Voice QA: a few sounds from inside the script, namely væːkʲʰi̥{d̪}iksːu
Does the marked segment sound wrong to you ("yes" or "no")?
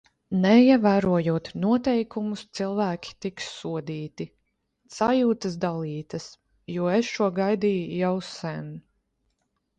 yes